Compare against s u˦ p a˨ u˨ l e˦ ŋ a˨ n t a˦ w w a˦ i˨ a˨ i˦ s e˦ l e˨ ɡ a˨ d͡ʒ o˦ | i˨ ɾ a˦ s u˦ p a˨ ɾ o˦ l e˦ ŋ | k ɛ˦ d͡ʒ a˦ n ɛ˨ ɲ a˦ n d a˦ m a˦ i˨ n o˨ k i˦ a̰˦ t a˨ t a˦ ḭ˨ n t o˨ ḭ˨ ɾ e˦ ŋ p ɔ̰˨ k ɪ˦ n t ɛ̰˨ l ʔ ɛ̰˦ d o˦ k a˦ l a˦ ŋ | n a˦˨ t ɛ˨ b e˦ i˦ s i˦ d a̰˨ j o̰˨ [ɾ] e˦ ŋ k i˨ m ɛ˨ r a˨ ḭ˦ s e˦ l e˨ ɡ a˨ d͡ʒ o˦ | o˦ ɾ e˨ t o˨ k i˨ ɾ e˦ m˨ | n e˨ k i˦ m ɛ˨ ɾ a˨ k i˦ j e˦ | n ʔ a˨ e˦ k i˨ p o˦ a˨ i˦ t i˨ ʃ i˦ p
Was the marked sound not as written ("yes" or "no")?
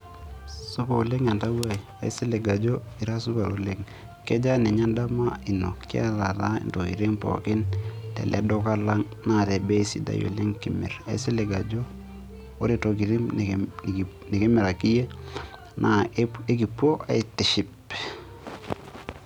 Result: yes